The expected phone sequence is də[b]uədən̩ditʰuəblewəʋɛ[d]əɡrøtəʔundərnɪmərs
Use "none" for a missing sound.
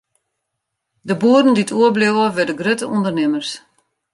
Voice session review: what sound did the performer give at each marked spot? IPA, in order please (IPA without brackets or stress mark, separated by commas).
b, d